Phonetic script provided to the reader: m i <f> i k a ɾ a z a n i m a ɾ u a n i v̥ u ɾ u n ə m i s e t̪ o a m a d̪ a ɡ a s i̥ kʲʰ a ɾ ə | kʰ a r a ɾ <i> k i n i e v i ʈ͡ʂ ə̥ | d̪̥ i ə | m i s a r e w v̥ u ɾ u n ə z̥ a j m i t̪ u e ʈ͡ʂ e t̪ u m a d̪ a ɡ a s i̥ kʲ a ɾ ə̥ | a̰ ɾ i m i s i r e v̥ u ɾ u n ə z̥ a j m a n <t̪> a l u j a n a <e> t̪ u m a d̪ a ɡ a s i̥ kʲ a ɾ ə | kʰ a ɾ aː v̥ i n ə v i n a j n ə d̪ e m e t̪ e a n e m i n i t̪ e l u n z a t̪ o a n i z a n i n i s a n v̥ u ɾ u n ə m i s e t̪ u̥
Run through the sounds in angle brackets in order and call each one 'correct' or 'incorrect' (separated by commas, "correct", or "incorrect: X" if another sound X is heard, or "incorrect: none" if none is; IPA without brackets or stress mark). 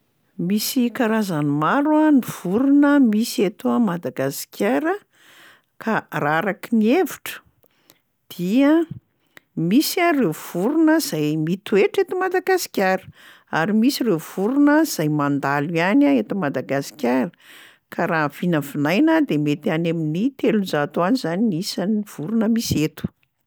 incorrect: s, incorrect: a, incorrect: d̪, correct